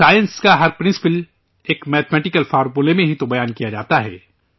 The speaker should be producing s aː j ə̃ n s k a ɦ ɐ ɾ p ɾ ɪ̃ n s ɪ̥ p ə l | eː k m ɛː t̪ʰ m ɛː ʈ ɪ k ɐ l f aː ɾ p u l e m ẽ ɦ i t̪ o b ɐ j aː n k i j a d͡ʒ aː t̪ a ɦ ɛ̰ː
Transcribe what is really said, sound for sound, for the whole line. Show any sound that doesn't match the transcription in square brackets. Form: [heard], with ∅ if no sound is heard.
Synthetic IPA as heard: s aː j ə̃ n s k a ɦ ɐ ɾ p ɾ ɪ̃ n s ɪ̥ p ə l | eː k m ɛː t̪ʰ m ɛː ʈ ɪ k [ə] l f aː ɾ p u l e m ẽ ɦ i t̪ o b ɐ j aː n k i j a d͡ʒ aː t̪ a ɦ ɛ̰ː